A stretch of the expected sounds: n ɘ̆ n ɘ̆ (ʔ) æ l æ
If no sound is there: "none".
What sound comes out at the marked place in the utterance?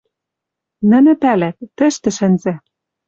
p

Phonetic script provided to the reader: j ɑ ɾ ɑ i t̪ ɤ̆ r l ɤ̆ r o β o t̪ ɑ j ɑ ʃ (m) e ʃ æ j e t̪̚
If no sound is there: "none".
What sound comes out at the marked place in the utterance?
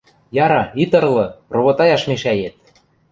m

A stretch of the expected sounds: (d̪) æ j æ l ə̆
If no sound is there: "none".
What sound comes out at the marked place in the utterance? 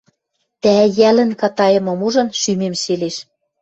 t̪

